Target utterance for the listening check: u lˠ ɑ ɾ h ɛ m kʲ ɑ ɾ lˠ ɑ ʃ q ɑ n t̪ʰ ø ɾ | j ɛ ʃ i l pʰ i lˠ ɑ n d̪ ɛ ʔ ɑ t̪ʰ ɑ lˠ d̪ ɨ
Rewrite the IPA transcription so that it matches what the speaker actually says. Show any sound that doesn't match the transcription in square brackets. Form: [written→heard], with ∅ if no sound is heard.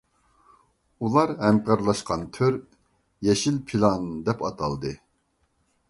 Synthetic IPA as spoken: u lˠ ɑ ɾ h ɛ m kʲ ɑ ɾ lˠ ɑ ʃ q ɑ n t̪ʰ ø ɾ | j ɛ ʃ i l pʰ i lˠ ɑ n d̪ ɛ [ʔ→p] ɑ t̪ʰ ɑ lˠ d̪ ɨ